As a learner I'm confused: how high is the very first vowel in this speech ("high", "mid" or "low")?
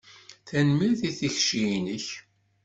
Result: low